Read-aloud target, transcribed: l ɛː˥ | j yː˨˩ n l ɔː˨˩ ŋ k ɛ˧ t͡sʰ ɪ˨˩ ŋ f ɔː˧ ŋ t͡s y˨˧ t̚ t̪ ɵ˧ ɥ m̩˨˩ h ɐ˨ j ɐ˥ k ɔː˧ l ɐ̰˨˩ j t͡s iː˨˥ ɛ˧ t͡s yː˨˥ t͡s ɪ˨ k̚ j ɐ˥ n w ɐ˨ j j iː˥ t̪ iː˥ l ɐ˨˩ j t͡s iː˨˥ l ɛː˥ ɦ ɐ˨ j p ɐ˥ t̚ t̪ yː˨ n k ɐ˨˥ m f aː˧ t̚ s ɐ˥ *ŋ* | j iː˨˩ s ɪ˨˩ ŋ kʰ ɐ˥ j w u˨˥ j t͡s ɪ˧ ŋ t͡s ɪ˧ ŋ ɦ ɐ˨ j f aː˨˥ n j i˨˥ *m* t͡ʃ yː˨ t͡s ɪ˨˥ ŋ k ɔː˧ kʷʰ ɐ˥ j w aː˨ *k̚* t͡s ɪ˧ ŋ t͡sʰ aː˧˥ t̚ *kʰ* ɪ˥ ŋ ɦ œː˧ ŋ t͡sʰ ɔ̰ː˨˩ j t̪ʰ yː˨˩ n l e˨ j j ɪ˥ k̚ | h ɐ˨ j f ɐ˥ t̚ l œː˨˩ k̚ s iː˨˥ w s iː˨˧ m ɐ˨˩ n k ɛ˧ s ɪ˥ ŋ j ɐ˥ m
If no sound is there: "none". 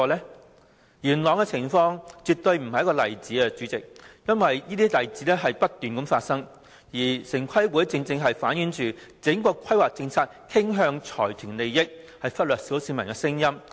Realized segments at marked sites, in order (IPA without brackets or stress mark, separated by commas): ŋ, n, k̚, kʰ